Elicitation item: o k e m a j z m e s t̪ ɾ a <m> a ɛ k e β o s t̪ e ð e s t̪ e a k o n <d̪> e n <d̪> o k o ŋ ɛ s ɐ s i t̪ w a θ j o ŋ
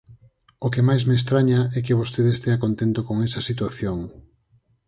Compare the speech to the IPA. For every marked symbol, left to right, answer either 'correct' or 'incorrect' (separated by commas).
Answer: incorrect, incorrect, incorrect